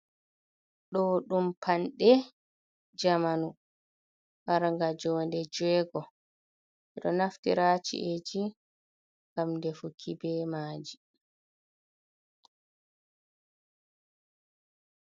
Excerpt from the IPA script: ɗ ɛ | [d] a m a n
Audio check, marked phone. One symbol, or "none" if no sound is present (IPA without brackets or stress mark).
d͡ʒ